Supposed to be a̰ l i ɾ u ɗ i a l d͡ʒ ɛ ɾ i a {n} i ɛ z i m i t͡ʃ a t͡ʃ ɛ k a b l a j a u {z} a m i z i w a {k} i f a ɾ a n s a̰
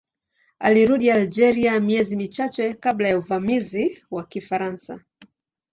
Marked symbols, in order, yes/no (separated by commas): no, no, yes